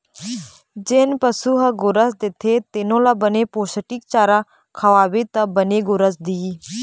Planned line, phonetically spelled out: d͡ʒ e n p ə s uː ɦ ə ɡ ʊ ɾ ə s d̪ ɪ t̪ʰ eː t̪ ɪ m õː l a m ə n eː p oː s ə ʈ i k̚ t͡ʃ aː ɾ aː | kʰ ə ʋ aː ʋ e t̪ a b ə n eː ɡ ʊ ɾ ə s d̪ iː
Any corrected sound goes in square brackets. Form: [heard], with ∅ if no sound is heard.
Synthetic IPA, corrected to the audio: d͡ʒ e n p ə s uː ɦ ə ɡ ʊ ɾ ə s d̪ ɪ t̪ʰ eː t̪ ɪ [n] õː l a [b] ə n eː p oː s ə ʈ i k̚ t͡ʃ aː ɾ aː | kʰ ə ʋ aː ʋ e t̪ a b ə n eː ɡ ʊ ɾ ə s d̪ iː